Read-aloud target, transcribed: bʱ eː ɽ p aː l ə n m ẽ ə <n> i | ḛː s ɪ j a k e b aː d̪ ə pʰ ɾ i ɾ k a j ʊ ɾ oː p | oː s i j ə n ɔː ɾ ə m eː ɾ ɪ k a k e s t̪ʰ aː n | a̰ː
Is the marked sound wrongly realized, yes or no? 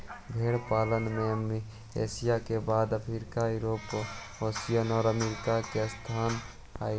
yes